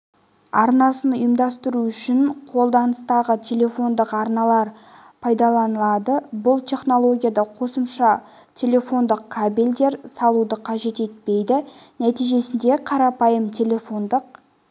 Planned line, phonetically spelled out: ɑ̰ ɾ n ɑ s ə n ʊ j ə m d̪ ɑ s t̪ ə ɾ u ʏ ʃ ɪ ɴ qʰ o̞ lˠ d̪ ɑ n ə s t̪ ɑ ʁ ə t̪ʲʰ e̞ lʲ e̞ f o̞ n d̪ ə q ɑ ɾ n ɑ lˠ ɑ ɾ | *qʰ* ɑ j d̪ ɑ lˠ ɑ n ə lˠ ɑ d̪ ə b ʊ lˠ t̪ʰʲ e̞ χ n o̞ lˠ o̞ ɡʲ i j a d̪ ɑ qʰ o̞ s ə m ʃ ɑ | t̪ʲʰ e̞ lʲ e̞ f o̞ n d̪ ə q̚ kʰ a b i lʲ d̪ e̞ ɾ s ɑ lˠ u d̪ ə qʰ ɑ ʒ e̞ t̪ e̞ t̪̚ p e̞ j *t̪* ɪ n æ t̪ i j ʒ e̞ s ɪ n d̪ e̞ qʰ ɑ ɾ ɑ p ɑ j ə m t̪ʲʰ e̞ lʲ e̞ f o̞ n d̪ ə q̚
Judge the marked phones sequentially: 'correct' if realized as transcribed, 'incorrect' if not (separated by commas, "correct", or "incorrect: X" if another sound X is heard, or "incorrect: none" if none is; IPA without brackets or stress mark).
incorrect: pʰ, incorrect: d̪